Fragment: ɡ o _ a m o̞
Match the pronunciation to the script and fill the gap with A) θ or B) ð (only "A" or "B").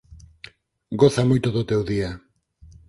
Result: A